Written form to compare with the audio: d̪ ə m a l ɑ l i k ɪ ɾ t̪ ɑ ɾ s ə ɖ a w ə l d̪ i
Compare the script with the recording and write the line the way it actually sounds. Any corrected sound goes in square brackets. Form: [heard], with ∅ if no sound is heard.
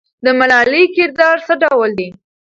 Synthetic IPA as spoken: d̪ ə m a l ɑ l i k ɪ ɾ [d̪] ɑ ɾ s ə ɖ a w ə l d̪ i